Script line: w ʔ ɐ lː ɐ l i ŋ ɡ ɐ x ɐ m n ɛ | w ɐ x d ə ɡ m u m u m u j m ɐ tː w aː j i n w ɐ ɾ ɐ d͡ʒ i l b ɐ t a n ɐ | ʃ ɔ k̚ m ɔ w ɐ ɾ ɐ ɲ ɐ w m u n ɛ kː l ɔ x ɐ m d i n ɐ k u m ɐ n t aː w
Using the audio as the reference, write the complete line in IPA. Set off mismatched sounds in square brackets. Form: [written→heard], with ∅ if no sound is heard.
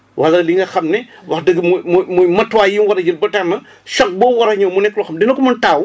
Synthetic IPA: w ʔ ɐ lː ɐ l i ŋ ɡ ɐ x ɐ m n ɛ | w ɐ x d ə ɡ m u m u m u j m ɐ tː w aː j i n w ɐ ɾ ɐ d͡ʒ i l b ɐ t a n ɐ | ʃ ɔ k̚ [m→b] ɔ w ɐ ɾ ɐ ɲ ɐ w m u n ɛ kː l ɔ x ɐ m d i n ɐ k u m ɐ n t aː w